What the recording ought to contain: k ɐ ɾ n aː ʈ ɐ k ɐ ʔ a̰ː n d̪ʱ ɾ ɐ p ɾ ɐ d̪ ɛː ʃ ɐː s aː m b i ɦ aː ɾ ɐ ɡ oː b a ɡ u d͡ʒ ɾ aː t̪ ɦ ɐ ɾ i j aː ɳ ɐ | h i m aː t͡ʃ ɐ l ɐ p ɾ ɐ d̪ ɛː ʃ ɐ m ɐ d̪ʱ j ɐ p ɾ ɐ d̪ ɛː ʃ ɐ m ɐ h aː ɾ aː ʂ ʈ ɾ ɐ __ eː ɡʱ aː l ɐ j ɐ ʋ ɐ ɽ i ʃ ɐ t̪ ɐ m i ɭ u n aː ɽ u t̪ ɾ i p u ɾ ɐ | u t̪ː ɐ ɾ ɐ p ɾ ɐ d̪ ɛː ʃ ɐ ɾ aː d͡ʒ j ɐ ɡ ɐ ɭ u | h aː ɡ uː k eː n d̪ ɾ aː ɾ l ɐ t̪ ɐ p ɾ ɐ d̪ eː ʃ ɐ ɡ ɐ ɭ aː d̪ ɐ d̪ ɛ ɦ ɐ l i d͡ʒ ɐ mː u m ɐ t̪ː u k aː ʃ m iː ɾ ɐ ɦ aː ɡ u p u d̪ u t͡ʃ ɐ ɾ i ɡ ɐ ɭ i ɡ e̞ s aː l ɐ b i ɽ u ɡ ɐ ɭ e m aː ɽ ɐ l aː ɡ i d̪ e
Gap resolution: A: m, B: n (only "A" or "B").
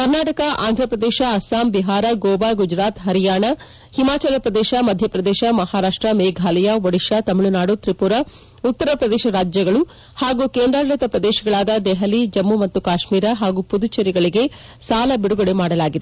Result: A